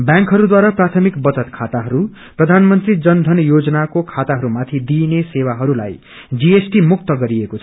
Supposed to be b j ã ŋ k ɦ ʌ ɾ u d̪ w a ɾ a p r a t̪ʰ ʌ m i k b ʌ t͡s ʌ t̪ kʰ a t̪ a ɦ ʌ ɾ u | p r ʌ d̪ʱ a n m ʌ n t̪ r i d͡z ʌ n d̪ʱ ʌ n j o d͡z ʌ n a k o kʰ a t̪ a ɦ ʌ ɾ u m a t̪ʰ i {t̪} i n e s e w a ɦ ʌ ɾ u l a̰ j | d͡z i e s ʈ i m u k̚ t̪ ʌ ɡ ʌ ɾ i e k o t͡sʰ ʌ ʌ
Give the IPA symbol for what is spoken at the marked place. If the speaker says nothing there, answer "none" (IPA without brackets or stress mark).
d̪